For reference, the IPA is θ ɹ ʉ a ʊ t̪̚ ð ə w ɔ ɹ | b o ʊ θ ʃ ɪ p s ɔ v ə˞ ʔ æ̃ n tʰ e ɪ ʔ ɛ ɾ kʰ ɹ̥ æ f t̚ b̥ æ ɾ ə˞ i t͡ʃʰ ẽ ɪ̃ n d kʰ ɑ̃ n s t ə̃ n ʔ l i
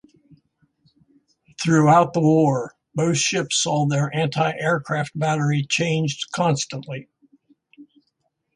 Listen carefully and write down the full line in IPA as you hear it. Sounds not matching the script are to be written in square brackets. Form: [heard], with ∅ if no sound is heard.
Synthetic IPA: θ ɹ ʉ a ʊ t̪̚ ð ə w ɔ ɹ | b o ʊ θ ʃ ɪ p s ɔ [ð] ə˞ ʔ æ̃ n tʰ [a] ɪ ʔ ɛ [ɹ] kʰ ɹ̥ æ f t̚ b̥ æ ɾ ə˞ i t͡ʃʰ ẽ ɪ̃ n [d͡ʒ] kʰ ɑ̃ n s t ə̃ n ʔ l i